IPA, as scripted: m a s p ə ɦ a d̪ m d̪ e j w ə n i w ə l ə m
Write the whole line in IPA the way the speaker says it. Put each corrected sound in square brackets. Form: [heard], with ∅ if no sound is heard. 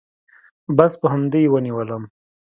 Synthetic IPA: [b] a s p ə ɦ a [∅] m d̪ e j w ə n i w ə l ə m

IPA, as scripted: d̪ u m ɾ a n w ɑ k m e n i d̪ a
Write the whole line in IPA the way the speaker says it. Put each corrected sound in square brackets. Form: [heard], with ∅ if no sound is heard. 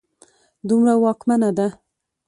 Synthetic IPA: d̪ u m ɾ a [∅] w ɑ k m [a] n [a] d̪ a

